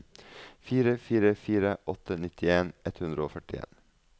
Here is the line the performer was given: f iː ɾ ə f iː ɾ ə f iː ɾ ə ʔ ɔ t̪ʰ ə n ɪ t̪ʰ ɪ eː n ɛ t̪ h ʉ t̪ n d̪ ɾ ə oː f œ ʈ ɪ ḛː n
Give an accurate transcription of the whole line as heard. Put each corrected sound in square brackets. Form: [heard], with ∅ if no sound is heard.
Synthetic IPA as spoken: f iː ɾ ə f iː ɾ ə f iː ɾ ə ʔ ɔ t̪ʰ ə n ɪ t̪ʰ ɪ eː n ɛ t̪ h ʉ [∅] n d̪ ɾ ə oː f œ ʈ ɪ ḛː n